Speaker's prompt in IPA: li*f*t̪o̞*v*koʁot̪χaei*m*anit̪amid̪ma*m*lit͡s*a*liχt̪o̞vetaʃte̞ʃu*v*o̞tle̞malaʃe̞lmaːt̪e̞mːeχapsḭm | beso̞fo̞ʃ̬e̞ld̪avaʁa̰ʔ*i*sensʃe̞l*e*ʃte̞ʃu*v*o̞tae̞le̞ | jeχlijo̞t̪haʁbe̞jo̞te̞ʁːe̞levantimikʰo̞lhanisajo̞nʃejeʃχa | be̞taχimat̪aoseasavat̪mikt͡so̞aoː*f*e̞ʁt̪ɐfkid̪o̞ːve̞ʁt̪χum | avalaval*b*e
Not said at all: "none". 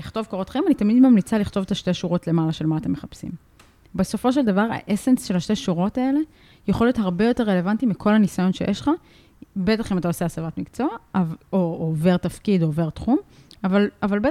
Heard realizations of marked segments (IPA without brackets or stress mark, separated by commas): χ, v, m, m, a, ʁ, e, a, ʁ, v, b